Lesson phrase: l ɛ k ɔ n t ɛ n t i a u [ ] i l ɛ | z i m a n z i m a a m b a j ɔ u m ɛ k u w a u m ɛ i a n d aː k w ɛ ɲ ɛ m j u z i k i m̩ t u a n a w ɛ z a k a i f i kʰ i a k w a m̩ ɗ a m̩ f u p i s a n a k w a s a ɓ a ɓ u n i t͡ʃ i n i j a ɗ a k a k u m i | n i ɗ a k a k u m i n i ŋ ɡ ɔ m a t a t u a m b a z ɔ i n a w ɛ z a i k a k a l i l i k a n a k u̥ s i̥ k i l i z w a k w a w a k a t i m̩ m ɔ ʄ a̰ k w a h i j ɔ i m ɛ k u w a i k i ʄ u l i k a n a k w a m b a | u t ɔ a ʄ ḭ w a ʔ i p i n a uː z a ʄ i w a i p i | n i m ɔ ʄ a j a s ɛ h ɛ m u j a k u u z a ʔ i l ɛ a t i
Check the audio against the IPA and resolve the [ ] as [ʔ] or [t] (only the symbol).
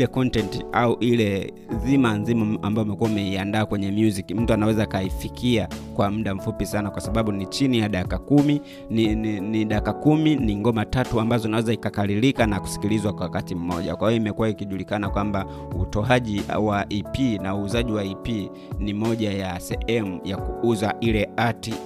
ʔ